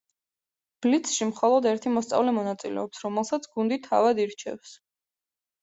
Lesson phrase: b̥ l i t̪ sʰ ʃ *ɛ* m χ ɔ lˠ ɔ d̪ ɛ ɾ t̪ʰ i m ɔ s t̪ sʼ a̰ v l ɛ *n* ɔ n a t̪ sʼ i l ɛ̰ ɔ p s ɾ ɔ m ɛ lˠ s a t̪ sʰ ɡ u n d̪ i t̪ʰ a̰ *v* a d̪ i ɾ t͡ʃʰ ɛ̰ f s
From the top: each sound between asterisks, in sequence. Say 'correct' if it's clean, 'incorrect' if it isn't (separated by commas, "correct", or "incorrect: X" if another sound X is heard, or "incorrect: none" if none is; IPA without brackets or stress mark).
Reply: incorrect: i, incorrect: m, correct